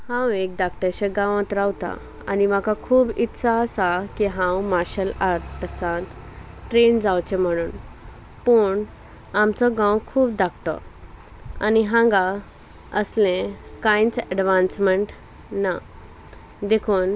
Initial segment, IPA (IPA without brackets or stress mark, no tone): h